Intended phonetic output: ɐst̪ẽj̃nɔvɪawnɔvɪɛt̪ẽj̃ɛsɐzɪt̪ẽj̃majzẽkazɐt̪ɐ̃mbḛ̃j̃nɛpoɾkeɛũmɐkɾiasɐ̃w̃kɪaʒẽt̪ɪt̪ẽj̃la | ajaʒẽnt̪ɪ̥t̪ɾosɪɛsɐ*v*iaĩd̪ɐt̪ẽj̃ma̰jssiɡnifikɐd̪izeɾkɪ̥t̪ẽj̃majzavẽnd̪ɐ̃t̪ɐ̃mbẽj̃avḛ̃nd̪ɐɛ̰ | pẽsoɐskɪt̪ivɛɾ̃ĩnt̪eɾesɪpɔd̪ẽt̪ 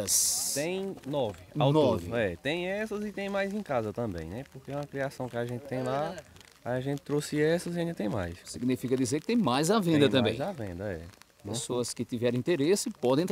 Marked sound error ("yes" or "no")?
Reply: yes